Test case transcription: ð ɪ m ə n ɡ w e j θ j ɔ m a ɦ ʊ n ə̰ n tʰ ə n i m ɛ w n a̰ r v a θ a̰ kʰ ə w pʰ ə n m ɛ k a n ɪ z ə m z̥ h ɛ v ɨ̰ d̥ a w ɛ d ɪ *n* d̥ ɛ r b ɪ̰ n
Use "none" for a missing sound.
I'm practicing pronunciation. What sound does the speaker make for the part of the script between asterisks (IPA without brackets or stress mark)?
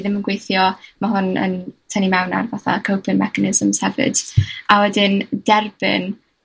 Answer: n